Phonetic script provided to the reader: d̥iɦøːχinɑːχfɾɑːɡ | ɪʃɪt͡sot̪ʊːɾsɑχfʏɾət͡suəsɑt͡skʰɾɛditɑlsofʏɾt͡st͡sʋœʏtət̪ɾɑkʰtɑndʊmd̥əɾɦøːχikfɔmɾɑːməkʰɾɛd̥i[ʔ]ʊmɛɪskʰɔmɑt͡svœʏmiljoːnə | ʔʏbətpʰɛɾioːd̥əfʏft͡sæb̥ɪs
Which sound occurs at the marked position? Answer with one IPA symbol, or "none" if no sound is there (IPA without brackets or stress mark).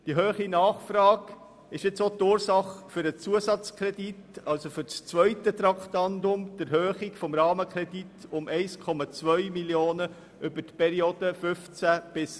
t